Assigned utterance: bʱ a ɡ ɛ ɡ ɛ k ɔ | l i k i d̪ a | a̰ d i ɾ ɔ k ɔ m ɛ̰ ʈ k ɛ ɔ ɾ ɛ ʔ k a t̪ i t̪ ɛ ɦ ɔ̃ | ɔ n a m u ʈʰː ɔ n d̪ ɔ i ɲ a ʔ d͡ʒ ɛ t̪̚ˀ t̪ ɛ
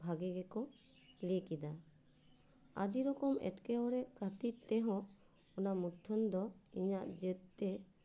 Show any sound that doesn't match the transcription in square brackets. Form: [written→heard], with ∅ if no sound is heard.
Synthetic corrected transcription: bʱ a ɡ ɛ ɡ ɛ k ɔ | l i k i d̪ a | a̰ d i ɾ ɔ k ɔ m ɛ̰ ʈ k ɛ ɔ ɾ ɛ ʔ k a t̪ i t̪ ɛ ɦ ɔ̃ | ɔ n a m u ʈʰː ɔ n d̪ ɔ i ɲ a ʔ d͡ʒ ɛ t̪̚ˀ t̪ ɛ